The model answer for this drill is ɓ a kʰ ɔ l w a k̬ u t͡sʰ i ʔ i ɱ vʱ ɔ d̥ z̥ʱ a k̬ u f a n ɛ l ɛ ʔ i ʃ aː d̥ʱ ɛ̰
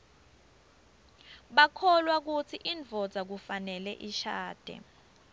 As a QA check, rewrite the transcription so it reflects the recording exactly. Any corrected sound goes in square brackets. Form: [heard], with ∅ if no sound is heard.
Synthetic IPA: ɓ a kʰ ɔ l w a k̬ u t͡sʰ i ʔ i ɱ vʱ ɔ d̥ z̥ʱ a k̬ u f a n ɛ l ɛ ʔ i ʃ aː d̥ʱ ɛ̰